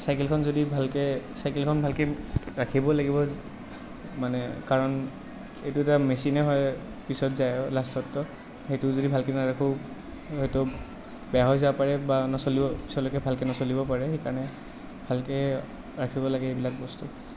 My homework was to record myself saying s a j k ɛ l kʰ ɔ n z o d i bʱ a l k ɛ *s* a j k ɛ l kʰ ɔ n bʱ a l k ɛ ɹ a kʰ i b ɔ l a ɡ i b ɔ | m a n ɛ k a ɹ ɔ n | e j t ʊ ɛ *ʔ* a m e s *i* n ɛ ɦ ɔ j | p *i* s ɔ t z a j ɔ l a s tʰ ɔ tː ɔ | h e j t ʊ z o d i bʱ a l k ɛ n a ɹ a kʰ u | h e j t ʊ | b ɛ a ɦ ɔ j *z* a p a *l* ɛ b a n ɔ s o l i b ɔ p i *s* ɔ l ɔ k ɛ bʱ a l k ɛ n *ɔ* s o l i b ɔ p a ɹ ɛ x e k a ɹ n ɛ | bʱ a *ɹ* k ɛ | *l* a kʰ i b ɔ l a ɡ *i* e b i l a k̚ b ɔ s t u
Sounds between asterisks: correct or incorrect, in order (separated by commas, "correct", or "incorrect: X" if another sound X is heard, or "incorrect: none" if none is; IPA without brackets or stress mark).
correct, incorrect: t, correct, correct, correct, incorrect: ɹ, correct, correct, incorrect: l, incorrect: ɹ, incorrect: ɛ